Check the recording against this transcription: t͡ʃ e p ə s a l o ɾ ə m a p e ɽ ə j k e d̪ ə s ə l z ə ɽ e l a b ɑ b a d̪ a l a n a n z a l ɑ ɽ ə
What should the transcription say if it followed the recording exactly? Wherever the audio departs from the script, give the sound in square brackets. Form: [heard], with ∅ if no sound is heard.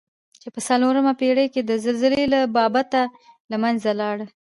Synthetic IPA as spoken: t͡ʃ e p ə s a l o ɾ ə m a p e ɽ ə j k e d̪ ə [z] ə l z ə [l] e l a b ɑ b a [t̪] a l a [m] a n z a l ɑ ɽ ə